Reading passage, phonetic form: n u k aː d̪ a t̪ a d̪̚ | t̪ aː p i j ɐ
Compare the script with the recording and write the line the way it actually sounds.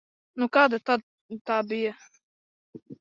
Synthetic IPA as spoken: n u k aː d̪ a t̪ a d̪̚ | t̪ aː b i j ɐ